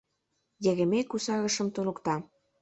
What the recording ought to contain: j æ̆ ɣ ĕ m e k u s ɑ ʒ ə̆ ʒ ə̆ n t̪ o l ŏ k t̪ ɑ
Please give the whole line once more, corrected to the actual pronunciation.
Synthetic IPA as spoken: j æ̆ ɣ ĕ m e k u s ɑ ɣ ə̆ ʃ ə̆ m t̪ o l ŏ k t̪ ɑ